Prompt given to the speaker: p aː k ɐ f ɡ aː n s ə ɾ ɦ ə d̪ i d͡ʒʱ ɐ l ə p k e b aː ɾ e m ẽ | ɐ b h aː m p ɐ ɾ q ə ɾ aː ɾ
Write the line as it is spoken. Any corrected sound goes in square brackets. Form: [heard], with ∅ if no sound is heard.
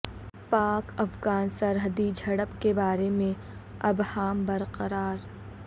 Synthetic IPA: p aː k ɐ f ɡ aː n s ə ɾ ɦ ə d̪ i d͡ʒʱ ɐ [ɽ] ə p k e b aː ɾ e m ẽ | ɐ b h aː m [b] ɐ ɾ q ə ɾ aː ɾ